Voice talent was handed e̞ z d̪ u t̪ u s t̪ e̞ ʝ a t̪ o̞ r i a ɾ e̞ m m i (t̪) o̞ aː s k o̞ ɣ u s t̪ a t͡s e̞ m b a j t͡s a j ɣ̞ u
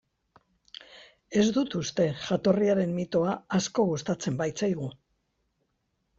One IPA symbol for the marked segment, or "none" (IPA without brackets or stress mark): t̪